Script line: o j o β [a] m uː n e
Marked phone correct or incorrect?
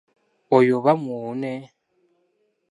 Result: correct